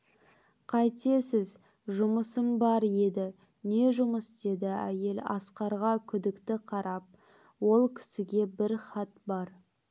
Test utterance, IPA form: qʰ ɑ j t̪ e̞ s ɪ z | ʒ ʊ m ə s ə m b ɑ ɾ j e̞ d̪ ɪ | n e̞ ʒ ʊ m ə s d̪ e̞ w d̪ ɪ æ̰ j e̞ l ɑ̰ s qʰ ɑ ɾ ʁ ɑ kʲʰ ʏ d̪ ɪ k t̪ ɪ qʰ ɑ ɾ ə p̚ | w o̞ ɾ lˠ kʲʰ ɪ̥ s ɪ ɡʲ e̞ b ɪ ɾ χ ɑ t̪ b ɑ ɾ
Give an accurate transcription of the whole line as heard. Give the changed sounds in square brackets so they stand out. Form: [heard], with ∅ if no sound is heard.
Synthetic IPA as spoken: qʰ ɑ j t̪ e̞ s ɪ z | ʒ ʊ m ə s ə m b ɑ ɾ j e̞ d̪ ɪ | n e̞ ʒ ʊ m ə s d̪ e̞ [∅] d̪ ɪ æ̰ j e̞ l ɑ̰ s [q] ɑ ɾ ʁ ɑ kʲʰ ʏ d̪ ɪ k t̪ ɪ qʰ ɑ ɾ [ɑ] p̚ | w o̞ [∅] lˠ kʲʰ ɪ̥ s ɪ ɡʲ e̞ b ɪ ɾ χ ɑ t̪ b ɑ ɾ